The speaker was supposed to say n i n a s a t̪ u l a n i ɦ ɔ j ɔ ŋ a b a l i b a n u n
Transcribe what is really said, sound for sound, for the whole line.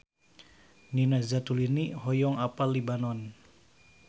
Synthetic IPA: n i n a z a t̪ u l i n i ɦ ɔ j ɔ ŋ a p a l i b a n ɔ n

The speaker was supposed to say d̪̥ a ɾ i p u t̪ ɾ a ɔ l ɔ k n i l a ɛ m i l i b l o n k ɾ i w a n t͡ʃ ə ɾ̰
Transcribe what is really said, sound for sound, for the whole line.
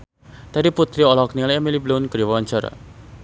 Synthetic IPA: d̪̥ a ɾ i p u t̪ ɾ i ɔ l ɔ k n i l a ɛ m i l i b l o n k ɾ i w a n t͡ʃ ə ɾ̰

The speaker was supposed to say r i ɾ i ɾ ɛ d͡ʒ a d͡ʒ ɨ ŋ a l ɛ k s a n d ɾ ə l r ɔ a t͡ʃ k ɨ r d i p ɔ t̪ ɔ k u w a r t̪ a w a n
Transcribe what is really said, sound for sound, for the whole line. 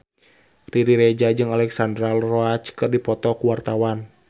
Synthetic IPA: r i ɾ i ɾ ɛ d͡ʒ a d͡ʒ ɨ ŋ a l ɛ k s a n d ɾ a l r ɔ a t͡ʃ k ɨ r d i p ɔ t̪ ɔ k u w a r t̪ a w a n

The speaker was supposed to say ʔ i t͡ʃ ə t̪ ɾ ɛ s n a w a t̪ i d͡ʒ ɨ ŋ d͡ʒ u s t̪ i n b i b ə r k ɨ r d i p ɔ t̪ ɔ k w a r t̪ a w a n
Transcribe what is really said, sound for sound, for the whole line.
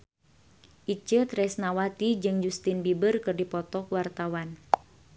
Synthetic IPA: ʔ i t͡ʃ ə t̪ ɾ ɛ s n a w a t̪ i d͡ʒ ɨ ŋ d͡ʒ u s t̪ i n b i b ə r k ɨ r d i p ɔ t̪ ɔ k w a r t̪ a w a n

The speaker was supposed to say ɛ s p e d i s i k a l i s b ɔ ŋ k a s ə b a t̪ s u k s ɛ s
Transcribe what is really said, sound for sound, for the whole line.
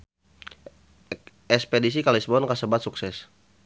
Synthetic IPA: ɛ s p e d i s i k a l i s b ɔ n k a s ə b a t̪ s u k s ɛ s

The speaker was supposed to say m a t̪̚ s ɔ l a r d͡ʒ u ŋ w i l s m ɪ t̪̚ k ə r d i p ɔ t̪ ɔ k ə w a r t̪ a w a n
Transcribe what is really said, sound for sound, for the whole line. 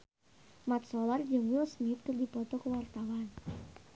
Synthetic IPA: m a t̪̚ s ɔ l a r d͡ʒ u ŋ w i l s m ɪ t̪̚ k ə r d i p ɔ t̪ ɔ k ə w a r t̪ a w a n

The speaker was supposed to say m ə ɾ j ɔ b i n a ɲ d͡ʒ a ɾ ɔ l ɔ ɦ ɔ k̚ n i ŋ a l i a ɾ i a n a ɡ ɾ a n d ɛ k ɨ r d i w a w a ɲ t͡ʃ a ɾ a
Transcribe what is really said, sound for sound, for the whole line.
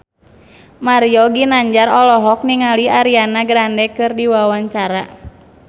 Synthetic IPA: m a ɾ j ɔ ɡ i n a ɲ d͡ʒ a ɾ ɔ l ɔ ɦ ɔ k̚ n i ŋ a l i a ɾ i a n a ɡ ɾ a n d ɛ k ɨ r d i w a w a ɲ t͡ʃ a ɾ a

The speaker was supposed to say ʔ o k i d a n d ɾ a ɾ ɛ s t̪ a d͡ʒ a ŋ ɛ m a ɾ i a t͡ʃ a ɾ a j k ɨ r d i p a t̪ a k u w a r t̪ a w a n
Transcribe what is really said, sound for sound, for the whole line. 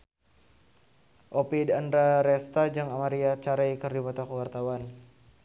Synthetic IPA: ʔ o p i d a n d ɾ a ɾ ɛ s t̪ a d͡ʒ a ŋ a m a ɾ i a t͡ʃ a ɾ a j k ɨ r d i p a t̪ a k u w a r t̪ a w a n

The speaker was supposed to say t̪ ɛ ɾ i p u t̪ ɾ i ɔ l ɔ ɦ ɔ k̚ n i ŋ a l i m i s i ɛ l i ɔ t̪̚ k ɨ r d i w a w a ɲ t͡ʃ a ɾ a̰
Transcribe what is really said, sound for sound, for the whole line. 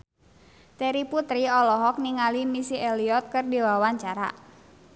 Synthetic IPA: t̪ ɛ ɾ i p u t̪ ɾ i ɔ l ɔ ɦ ɔ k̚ n i ŋ a l i m i s i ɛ l i ɔ t̪̚ k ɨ r d i w a w a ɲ t͡ʃ a ɾ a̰

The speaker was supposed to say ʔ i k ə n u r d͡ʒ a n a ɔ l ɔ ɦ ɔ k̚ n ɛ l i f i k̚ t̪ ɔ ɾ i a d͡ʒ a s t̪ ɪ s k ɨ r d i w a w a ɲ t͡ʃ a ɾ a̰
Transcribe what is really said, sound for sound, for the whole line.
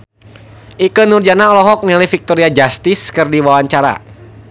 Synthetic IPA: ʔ i k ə n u r d͡ʒ a n a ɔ l ɔ ɦ ɔ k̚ n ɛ l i f i k̚ t̪ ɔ ɾ i a d͡ʒ a s t̪ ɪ s k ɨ r d i w a w a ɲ t͡ʃ a ɾ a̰

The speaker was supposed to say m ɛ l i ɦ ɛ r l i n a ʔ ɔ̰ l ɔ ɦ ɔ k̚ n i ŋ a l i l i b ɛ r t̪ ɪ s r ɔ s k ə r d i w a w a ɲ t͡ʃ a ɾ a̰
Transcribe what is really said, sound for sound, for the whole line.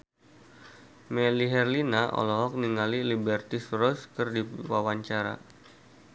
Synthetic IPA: m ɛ l i ɦ ɛ r l i n a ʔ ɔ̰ l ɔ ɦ ɔ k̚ n i ŋ a l i l i b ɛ r t̪ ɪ s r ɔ s k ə r d i w a w a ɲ t͡ʃ a ɾ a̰

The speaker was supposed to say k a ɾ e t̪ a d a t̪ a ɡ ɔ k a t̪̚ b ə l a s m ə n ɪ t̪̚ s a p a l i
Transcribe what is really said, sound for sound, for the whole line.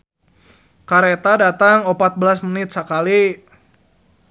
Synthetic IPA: k a ɾ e t̪ a d a t̪ a ŋ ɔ p a t̪̚ b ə l a s m ə n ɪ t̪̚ s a k a l i

